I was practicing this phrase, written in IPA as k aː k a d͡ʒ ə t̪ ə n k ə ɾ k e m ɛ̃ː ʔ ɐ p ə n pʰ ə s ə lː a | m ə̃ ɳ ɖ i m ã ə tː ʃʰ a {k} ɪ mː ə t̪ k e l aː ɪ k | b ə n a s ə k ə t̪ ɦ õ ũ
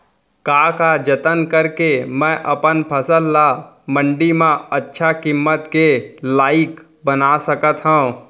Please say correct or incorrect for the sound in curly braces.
correct